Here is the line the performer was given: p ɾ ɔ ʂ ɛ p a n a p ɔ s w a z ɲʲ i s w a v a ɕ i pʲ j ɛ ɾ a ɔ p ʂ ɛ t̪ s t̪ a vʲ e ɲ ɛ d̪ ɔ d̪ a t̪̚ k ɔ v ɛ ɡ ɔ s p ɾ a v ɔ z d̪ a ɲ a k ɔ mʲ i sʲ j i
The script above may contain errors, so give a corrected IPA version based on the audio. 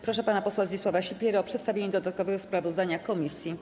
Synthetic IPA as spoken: p ɾ ɔ ʂ ɛ p a n a p ɔ s w a z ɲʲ i s w a v a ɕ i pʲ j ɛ ɾ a ɔ p ʂ ɛ t̪ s t̪ a vʲ e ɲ ɛ d̪ ɔ d̪ a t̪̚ k ɔ v ɛ ɡ ɔ s p ɾ a v ɔ z d̪ a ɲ a k ɔ mʲ i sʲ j i